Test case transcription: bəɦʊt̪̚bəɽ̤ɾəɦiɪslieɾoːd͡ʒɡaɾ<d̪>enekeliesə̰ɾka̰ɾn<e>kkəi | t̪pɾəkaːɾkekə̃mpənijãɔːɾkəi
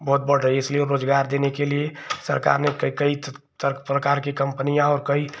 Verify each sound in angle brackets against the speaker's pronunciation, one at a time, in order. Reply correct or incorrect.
correct, correct

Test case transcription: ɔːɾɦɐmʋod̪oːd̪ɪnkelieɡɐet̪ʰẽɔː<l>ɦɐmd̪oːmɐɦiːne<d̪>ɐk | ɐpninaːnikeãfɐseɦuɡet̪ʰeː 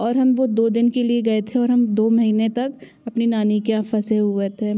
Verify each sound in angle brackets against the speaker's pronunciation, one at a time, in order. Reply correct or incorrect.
incorrect: ɾ, incorrect: t̪

